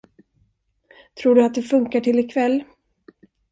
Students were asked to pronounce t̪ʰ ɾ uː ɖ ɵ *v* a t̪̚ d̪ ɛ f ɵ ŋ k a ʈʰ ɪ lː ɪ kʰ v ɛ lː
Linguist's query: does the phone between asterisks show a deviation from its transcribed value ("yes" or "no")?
yes